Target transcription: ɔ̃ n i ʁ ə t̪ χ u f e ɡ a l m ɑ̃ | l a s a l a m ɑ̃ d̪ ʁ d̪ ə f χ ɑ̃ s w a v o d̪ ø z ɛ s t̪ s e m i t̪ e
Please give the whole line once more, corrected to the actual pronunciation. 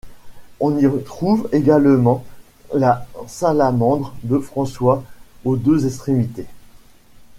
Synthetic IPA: ɔ̃ n i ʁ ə t̪ χ u v e ɡ a l m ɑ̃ | l a s a l a m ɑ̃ d̪ ʁ d̪ ə f χ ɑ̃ s w a o d̪ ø z ɛ s t̪ χ e m i t̪ e